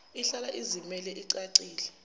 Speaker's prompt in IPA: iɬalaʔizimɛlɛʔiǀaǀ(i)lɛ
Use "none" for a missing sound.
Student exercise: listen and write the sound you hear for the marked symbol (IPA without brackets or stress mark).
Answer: iː